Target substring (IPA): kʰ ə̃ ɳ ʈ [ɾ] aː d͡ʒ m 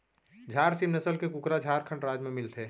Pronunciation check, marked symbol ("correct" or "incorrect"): correct